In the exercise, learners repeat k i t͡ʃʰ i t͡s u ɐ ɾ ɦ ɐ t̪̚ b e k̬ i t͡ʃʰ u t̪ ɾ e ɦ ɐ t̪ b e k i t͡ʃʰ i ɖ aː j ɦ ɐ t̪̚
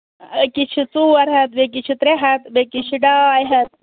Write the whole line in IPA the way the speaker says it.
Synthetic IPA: k i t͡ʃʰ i t͡s u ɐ ɾ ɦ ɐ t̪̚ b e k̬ i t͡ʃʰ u t̪ ɾ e ɦ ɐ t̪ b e k i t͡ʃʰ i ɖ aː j ɦ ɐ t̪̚